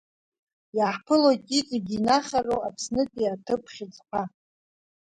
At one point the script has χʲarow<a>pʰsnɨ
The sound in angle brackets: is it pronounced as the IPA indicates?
yes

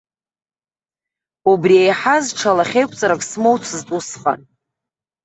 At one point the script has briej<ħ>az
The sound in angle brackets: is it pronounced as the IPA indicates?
yes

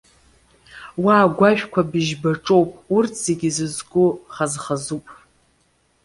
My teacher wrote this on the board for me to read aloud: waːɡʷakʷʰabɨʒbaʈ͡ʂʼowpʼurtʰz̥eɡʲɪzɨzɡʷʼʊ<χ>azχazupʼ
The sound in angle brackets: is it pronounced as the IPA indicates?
yes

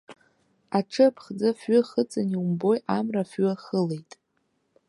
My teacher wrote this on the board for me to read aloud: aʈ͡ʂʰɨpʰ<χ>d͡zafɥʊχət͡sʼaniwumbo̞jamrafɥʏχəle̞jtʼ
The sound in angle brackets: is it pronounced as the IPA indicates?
yes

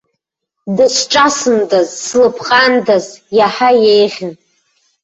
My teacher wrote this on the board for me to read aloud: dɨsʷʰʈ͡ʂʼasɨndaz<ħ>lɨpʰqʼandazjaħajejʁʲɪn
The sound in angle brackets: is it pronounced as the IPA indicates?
no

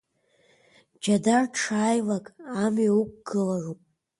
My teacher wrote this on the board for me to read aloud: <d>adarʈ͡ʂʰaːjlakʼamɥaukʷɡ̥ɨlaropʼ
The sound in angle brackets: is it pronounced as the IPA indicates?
no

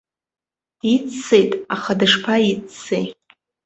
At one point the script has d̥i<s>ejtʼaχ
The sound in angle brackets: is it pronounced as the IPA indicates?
no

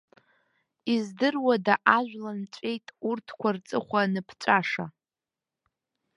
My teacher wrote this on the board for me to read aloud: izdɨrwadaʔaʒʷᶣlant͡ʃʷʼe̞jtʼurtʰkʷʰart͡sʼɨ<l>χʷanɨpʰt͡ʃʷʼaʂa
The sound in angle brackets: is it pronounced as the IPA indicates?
no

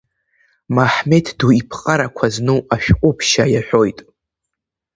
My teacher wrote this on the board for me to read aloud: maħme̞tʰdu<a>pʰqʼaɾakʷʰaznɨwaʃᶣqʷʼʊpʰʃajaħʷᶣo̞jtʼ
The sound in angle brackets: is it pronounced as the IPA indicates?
no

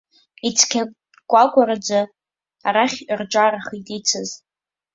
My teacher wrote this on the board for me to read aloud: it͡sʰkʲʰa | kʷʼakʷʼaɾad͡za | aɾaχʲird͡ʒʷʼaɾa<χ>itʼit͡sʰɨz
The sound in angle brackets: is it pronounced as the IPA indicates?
yes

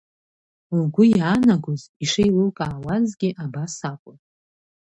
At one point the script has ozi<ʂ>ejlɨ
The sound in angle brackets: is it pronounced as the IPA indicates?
yes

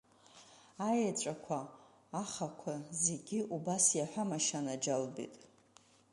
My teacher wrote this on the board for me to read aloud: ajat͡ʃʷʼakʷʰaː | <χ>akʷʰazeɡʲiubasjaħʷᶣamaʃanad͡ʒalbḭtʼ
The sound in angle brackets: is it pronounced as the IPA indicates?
yes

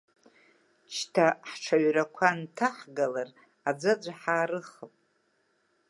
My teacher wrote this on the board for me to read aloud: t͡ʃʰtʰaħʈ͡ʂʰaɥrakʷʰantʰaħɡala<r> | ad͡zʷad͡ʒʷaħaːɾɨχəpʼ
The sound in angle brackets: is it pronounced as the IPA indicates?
yes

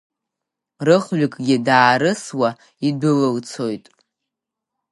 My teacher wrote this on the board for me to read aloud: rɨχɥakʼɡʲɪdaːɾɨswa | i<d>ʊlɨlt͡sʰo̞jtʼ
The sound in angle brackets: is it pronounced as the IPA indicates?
yes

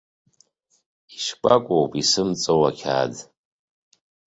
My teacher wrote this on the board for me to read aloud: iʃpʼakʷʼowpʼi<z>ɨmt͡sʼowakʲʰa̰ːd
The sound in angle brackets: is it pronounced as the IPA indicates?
no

